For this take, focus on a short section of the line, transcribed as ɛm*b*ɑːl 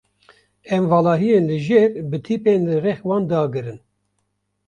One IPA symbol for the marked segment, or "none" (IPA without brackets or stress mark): v